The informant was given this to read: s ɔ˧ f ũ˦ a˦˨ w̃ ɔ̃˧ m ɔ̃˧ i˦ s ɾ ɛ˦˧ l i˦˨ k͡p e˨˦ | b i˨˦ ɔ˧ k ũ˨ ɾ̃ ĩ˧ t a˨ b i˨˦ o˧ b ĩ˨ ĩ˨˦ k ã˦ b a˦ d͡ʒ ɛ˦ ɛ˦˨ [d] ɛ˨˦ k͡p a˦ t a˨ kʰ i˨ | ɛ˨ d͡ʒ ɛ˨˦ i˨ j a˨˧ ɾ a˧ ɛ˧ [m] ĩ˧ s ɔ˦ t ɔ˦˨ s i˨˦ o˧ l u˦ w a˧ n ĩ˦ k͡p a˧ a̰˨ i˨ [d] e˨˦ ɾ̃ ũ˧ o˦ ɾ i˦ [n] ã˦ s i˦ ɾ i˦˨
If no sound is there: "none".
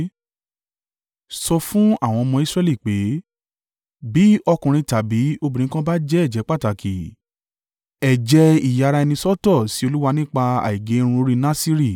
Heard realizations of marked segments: d͡ʒ, n, ɡ, n

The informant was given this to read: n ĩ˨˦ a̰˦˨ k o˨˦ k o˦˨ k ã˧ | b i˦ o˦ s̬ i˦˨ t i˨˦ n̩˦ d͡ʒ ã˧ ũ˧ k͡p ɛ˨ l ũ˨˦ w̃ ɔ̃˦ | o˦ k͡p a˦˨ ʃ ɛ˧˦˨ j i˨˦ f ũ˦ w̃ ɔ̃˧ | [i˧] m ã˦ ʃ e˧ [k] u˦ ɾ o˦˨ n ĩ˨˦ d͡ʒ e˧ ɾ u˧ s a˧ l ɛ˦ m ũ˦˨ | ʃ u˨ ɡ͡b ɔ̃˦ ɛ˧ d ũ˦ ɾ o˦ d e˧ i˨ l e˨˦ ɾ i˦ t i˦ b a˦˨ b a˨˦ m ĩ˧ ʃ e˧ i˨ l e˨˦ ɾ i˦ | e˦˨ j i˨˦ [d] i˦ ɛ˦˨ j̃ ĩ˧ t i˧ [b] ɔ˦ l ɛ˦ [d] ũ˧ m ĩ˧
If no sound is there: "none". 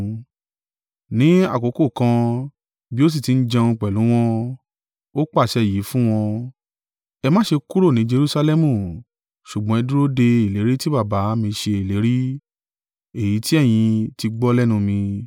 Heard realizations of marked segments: ɛ˧, k, t, ɡ͡b, n

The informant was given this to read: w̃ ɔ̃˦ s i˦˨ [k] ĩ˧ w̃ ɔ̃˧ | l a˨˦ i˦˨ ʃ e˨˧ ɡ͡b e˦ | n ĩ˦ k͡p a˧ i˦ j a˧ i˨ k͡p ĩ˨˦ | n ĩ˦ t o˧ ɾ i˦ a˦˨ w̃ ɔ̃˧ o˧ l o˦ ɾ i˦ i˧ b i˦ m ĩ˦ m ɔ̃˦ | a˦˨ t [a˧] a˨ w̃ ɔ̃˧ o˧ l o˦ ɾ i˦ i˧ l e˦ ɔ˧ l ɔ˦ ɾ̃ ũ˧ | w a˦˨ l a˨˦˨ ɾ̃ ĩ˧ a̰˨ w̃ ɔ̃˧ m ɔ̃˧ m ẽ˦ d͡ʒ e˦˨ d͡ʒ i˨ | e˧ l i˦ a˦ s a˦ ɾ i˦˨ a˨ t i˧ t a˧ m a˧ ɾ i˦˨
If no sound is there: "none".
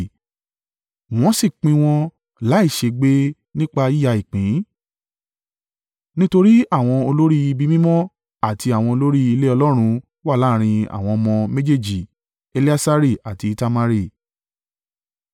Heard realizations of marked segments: k͡p, i˧

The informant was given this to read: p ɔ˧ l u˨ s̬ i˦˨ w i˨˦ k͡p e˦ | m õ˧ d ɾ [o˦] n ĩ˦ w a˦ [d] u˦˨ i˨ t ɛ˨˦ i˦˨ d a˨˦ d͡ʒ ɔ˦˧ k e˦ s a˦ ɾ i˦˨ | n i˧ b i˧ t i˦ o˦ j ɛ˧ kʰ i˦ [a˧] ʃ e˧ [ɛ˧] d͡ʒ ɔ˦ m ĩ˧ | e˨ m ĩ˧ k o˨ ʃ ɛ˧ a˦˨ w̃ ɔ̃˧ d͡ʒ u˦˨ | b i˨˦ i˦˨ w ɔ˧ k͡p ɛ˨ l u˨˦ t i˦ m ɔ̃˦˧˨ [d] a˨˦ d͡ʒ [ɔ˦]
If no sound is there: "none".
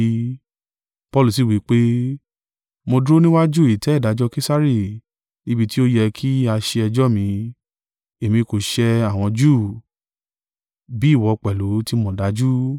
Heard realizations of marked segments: o˦, d͡ʒ, a˧, ɛ˧, d, u˦

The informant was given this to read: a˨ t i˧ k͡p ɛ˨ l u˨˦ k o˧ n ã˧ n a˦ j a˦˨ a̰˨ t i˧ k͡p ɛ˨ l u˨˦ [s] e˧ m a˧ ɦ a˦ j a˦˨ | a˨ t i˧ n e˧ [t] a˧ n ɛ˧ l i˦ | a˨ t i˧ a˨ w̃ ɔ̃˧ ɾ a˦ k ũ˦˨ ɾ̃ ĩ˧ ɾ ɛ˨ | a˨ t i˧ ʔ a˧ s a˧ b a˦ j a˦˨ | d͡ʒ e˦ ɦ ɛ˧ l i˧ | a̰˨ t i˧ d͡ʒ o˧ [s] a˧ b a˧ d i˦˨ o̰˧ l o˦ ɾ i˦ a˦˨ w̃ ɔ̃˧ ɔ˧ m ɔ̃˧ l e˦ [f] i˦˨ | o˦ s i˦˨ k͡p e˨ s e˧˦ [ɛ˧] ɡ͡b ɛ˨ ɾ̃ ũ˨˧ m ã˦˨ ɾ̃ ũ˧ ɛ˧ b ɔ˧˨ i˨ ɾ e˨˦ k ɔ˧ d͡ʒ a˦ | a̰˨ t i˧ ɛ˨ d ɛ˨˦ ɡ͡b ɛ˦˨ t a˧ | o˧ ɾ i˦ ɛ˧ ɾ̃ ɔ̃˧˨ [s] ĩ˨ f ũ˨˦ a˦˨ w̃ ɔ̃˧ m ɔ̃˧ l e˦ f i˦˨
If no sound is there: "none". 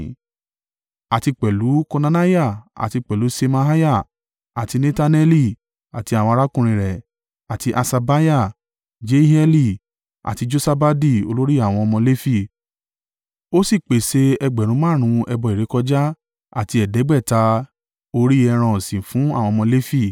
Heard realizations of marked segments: s, t, s, f, ɛ˧, s

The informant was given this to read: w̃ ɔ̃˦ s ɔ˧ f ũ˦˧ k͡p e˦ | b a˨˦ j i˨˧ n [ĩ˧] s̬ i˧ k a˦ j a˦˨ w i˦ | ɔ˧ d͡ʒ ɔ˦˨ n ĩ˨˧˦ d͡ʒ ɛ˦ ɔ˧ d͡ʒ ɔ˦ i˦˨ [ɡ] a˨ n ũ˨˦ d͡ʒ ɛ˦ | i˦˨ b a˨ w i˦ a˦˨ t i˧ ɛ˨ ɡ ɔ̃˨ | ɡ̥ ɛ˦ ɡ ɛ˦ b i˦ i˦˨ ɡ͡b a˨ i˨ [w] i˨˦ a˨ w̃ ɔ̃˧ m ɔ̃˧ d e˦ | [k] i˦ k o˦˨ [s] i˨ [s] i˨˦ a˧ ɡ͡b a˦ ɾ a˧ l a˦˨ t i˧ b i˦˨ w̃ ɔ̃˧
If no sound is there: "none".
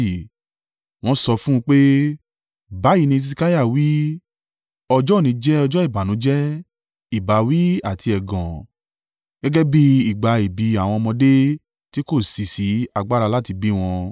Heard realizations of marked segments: ĩ˧, b, b, t, s, s

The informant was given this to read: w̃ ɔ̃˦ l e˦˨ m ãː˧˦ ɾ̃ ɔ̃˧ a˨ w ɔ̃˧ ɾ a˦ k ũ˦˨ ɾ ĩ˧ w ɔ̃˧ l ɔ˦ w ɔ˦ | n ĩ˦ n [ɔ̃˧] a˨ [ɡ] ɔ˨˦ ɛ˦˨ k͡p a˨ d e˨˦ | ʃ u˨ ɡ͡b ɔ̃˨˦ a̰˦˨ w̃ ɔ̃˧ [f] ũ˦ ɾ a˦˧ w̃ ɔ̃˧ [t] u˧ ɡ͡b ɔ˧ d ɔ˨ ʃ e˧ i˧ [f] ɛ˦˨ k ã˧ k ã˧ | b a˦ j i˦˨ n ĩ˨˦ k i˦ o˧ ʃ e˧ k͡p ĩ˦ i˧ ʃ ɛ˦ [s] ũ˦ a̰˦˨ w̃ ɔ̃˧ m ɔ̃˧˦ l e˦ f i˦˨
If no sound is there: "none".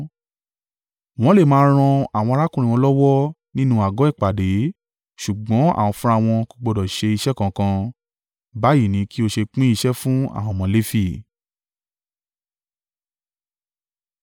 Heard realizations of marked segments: ũ˧, ɡ, f, k, ʃ, f

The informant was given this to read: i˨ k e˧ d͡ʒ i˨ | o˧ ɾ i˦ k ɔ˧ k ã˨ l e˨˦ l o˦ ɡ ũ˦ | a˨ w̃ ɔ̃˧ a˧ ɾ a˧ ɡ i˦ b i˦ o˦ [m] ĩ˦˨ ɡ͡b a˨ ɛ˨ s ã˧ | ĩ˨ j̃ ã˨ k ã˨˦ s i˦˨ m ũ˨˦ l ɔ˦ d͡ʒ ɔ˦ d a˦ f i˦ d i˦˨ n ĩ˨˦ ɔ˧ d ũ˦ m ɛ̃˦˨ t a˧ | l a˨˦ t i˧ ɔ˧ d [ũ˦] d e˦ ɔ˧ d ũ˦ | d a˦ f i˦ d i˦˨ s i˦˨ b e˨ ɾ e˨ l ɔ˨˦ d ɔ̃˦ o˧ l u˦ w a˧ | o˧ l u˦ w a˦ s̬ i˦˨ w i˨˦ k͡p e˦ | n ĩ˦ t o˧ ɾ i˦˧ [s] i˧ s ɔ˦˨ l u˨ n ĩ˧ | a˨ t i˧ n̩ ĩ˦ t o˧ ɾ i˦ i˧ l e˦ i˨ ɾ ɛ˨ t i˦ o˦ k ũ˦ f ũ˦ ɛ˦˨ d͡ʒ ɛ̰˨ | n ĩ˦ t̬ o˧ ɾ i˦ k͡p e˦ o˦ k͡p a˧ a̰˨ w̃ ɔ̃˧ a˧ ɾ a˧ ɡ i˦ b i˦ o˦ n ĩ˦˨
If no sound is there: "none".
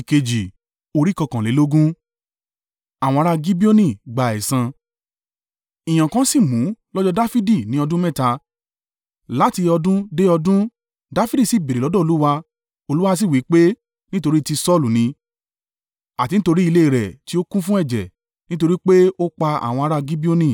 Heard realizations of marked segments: n, ũ˦, t

